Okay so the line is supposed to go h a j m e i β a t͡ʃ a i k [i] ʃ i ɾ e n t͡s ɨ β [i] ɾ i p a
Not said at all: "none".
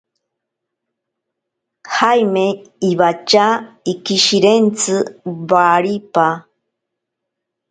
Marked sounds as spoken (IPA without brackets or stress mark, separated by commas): i, a